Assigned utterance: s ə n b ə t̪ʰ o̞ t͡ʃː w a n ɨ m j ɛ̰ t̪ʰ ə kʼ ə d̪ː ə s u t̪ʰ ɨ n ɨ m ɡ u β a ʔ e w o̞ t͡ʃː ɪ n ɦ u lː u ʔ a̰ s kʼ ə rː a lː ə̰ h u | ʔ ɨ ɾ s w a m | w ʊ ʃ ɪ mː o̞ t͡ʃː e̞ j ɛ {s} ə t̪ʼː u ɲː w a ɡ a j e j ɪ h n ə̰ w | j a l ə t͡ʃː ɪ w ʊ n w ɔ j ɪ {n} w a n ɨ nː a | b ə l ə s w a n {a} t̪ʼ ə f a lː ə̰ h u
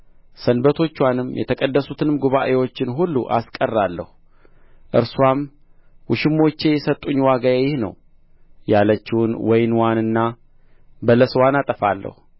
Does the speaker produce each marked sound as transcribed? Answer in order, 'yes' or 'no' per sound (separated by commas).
yes, yes, yes